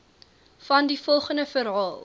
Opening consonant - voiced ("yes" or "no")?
no